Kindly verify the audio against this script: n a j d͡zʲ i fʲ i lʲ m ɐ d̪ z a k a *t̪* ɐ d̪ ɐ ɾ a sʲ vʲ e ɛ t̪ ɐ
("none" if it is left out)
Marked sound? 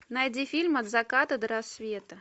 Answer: t̪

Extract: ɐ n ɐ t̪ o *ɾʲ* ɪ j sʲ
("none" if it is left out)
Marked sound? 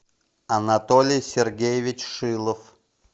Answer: lʲ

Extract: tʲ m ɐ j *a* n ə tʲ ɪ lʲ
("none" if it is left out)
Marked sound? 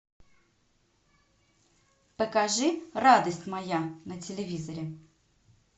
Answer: a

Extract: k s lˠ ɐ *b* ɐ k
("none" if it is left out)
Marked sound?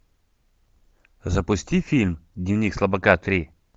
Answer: b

